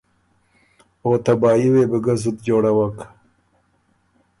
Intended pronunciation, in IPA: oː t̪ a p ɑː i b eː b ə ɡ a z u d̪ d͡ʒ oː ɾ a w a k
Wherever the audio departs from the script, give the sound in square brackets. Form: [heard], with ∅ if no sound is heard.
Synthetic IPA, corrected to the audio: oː t̪ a [b] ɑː i [w] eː b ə ɡ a z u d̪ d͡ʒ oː [ɽ] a w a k